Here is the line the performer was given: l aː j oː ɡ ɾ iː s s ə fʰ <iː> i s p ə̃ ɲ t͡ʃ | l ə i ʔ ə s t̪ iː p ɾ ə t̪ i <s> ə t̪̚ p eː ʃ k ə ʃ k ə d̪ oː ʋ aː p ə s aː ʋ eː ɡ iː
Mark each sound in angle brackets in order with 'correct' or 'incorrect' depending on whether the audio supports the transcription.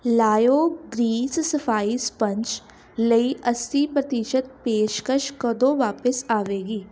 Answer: incorrect: aː, incorrect: ʃ

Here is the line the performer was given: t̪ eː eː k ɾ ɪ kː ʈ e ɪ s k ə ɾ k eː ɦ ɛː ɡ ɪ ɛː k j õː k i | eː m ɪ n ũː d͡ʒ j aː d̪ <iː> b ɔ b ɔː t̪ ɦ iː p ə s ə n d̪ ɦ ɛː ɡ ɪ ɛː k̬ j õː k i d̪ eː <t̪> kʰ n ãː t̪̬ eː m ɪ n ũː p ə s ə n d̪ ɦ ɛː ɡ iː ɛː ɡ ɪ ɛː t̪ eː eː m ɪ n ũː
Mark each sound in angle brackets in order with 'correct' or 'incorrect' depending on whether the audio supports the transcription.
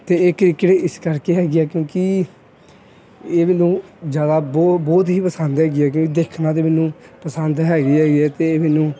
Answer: incorrect: aː, incorrect: none

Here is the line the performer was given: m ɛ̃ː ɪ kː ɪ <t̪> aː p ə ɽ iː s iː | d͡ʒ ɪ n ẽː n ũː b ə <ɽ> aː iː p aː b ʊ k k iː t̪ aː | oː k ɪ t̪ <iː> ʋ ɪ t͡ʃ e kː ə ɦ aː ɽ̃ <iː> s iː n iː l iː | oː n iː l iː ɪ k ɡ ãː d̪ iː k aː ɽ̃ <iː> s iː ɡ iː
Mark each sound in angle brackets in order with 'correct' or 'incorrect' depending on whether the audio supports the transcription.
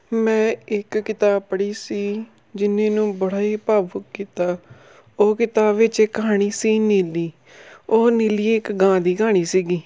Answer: correct, correct, incorrect: aː, correct, correct

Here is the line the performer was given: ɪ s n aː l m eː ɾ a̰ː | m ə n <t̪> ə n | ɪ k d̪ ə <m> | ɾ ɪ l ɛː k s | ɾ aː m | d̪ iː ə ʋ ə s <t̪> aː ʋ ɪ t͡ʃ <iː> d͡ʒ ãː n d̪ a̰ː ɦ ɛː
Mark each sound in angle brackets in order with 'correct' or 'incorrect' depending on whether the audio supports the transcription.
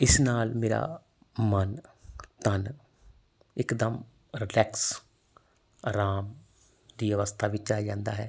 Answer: correct, correct, incorrect: t̪ʰ, incorrect: aː

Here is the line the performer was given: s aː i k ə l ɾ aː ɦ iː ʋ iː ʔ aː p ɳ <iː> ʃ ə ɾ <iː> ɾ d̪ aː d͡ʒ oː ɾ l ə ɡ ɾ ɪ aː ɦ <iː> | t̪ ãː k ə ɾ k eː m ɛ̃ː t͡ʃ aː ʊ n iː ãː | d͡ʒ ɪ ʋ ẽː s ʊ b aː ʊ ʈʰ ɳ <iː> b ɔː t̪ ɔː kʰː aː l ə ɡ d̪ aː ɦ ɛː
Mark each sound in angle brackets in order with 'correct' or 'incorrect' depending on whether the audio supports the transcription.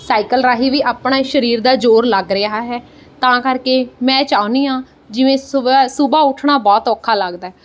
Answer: incorrect: aː, correct, incorrect: ɛː, incorrect: aː

